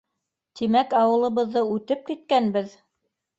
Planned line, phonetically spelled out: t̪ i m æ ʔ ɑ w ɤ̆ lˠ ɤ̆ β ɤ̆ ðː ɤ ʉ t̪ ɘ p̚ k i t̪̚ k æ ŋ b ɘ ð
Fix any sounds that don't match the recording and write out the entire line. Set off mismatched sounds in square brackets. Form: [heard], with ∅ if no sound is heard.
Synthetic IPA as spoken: t̪ i m æ [k] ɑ w ɤ̆ lˠ ɤ̆ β ɤ̆ ðː ɤ ʉ t̪ ɘ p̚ k i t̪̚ k æ [n] b ɘ ð